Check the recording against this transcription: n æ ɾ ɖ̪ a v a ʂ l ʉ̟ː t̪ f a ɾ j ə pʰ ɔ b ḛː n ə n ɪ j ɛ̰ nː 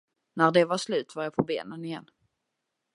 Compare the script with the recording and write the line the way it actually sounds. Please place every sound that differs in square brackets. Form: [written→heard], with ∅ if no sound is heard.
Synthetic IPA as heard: n æ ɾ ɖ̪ [a→ɛ] v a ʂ l ʉ̟ː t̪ [f→v] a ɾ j [ə→a] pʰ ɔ b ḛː n ə n ɪ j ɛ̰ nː